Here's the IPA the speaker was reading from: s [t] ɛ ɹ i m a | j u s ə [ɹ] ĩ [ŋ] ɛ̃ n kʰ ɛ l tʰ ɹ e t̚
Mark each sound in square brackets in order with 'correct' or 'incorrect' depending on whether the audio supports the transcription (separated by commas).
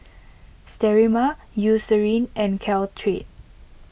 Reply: correct, correct, incorrect